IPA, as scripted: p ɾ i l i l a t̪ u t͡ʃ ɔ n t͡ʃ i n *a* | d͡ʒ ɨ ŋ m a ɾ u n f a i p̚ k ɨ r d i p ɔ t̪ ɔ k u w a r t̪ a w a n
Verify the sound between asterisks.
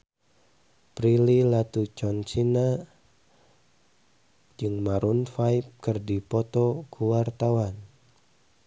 correct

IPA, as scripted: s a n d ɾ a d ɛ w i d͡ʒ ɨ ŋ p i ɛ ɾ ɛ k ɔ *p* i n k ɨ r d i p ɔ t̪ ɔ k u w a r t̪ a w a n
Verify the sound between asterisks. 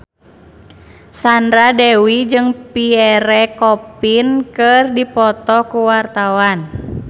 correct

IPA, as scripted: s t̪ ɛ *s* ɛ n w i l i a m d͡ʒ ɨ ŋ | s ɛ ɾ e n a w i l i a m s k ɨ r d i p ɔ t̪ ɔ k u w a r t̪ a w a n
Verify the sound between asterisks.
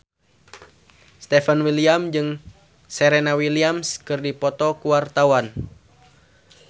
incorrect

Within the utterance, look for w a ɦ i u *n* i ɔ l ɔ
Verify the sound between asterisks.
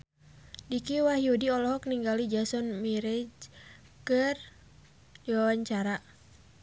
incorrect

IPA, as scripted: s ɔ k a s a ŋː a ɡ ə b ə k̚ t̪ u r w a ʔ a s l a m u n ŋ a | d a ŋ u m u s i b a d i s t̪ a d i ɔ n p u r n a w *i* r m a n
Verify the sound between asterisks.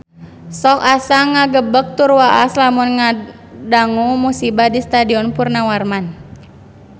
incorrect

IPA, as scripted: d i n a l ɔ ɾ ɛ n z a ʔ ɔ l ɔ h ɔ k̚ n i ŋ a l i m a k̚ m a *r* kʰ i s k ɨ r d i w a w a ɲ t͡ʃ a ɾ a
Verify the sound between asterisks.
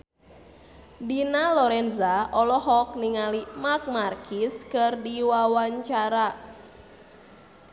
correct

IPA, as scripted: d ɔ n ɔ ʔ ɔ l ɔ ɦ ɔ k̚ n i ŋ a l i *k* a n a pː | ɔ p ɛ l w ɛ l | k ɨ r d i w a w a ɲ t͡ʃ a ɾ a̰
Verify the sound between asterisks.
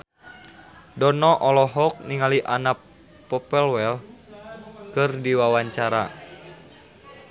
incorrect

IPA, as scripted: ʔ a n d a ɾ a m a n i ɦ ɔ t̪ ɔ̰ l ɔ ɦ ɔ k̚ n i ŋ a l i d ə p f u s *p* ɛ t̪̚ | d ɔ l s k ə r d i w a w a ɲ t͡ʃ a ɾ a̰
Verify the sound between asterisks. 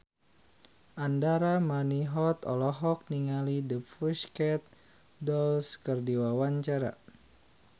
incorrect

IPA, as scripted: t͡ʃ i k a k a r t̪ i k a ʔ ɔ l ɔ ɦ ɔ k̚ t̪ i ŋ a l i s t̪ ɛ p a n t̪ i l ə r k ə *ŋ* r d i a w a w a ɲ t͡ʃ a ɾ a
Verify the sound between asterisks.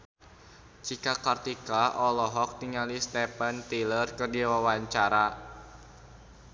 incorrect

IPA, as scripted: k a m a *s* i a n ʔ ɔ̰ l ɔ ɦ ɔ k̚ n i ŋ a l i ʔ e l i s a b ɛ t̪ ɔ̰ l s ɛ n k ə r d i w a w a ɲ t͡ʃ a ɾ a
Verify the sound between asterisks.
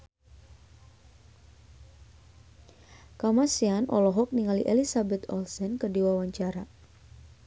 correct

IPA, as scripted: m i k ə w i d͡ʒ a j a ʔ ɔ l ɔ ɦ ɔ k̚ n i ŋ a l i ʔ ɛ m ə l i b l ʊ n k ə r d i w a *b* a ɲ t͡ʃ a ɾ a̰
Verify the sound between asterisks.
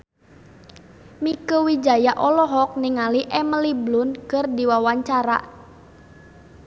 incorrect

